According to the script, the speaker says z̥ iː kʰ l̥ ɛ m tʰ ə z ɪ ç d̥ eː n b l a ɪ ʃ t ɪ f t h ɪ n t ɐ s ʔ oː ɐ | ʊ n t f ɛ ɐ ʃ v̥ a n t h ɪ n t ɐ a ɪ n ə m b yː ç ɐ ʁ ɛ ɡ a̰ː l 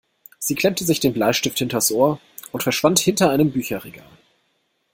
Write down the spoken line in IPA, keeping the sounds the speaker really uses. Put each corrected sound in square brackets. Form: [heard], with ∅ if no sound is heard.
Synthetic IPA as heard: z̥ iː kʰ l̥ ɛ m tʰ ə z ɪ ç d̥ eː n b l a ɪ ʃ t ɪ f t h ɪ n t ɐ s ʔ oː ɐ | ʊ n t f ɛ ɐ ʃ v̥ a n t h ɪ n t ɐ a ɪ n ə m b yː ç ɐ ʁ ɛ ɡ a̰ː l